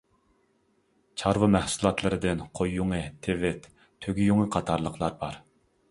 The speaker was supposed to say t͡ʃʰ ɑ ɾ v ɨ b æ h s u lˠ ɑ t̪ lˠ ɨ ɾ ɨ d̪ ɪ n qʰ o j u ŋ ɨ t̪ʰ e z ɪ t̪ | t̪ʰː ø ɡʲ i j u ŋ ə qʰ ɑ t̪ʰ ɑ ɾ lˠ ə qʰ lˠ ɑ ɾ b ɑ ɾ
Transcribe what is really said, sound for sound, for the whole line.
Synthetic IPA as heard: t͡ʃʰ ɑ ɾ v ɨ m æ h s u lˠ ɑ t̪ lˠ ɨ ɾ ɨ d̪ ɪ n qʰ o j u ŋ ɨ t̪ʰ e v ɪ t̪ | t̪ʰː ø ɡʲ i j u ŋ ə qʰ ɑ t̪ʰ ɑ ɾ lˠ ə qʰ lˠ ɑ ɾ b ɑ ɾ